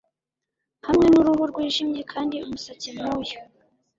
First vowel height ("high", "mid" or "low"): low